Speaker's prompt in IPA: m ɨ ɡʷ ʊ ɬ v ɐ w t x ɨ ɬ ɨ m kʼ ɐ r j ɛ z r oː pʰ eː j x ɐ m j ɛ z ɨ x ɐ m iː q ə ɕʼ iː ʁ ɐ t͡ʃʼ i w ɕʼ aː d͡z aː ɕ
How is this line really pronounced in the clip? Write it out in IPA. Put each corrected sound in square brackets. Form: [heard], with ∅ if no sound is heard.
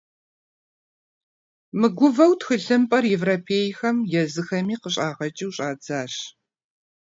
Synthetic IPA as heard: m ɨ ɡʷ ʊ [∅] v ɐ w t x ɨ ɬ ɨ m [pʼ] ɐ r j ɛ [v] r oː pʰ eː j x ɐ m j ɛ z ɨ x ɐ m iː q ə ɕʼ [aː] ʁ ɐ t͡ʃʼ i w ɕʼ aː d͡z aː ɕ